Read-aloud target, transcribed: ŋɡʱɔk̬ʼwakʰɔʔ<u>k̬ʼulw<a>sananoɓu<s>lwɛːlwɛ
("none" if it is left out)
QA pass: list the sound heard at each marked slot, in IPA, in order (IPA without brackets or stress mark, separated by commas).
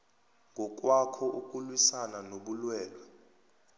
u, i, none